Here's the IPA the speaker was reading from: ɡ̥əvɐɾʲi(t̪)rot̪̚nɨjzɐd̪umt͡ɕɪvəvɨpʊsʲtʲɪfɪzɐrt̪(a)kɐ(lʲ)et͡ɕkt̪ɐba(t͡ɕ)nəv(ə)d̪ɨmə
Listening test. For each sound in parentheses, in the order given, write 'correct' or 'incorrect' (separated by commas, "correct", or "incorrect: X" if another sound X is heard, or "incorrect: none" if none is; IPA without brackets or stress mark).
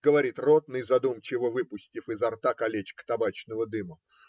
correct, correct, correct, correct, correct